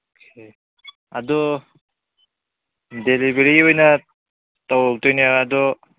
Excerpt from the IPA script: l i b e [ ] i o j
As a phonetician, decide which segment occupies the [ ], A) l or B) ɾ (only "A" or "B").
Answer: B